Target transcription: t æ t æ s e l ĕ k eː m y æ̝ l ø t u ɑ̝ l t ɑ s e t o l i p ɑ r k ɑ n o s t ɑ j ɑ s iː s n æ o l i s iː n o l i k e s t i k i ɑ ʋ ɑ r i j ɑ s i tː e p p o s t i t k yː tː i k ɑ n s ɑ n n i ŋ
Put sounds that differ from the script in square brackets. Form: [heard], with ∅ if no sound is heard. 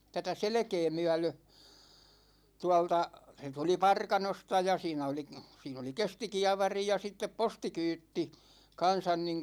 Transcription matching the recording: t æ t æ s e l ĕ k eː m y æ̝ l ø t u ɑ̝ l t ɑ s e t [u] l i p ɑ r k ɑ n o s t ɑ j ɑ s iː [∅] n æ o l i s iː n o l i k e s t i k i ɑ ʋ ɑ r i j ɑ s i tː e p p o s t i [∅] k yː tː i k ɑ n s ɑ n n i ŋ